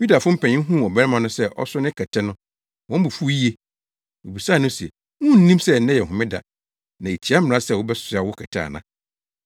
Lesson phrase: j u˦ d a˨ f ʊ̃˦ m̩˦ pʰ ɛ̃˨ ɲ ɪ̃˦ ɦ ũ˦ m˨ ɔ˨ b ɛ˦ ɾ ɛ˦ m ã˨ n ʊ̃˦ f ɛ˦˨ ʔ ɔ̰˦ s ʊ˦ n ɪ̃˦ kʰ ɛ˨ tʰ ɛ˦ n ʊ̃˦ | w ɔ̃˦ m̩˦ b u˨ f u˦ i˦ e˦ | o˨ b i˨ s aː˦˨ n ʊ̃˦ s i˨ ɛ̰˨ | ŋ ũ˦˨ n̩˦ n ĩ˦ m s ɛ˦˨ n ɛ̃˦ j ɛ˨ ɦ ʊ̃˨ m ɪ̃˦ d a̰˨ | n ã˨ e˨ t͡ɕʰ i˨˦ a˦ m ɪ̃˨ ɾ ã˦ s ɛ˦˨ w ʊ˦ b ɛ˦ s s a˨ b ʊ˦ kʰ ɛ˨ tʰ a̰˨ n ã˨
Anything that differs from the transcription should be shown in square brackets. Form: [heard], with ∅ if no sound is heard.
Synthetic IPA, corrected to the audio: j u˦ d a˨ f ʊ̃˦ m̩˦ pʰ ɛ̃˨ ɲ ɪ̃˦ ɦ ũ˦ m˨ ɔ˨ b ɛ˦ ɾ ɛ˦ m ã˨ n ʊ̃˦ [s] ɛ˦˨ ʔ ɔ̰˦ s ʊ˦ n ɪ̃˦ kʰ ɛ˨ tʰ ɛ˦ n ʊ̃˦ | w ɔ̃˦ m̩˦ b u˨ f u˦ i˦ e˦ | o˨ b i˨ s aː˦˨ n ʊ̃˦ s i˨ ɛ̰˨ | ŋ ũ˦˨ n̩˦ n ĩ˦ m s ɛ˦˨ n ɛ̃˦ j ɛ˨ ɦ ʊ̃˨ m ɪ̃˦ d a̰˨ | n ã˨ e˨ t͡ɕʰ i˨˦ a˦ m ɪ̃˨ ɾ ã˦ s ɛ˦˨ w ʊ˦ b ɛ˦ s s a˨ [w] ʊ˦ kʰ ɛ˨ tʰ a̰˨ n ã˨